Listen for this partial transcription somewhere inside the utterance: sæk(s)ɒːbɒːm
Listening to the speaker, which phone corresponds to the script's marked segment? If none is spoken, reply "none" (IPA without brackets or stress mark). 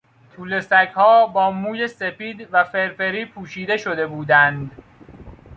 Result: h